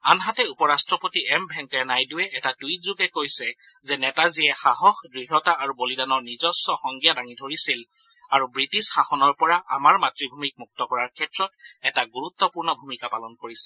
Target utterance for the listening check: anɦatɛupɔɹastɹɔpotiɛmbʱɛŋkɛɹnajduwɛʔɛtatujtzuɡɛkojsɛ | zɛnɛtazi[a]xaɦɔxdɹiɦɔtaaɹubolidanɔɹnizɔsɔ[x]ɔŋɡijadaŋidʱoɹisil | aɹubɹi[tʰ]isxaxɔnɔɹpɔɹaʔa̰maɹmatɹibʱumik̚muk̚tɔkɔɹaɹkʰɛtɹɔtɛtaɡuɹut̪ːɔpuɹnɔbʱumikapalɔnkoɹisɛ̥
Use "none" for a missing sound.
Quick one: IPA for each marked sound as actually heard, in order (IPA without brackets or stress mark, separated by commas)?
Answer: ɛ, x, t